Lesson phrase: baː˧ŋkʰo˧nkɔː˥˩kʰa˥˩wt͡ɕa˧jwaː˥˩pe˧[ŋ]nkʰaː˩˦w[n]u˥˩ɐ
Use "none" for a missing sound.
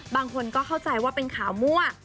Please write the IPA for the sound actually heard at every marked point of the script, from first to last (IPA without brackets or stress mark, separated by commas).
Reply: none, m